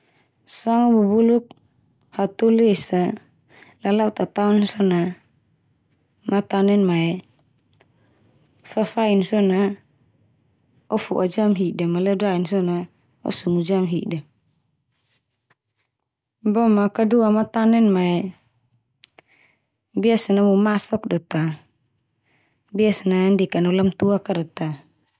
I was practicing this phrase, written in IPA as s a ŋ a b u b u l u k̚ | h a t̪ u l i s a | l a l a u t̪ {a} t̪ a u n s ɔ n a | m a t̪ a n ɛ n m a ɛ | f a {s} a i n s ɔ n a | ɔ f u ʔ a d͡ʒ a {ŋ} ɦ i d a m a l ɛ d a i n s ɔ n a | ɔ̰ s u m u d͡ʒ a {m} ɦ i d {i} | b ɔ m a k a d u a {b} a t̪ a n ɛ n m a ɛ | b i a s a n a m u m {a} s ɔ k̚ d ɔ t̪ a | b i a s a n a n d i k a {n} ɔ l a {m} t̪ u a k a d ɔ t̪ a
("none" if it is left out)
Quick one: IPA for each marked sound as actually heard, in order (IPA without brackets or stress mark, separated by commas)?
a, f, m, m, a, m, a, n, m